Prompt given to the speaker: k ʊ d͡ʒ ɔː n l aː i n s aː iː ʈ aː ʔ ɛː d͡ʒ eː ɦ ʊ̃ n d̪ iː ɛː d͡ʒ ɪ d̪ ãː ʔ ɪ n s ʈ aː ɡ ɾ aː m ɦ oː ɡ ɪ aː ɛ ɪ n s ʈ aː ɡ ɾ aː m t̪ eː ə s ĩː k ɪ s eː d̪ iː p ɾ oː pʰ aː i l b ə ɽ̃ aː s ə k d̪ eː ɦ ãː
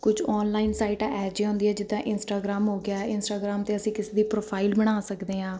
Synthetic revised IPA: k ʊ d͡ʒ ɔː n l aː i n s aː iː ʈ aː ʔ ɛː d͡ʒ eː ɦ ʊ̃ n d̪ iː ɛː d͡ʒ ɪ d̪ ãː ʔ ɪ n s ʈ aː ɡ ɾ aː m ɦ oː ɡ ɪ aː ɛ ɪ n s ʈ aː ɡ ɾ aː m t̪ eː ə s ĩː k ɪ s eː d̪ iː p ɾ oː pʰ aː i l b ə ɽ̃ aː s ə k d̪ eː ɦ ãː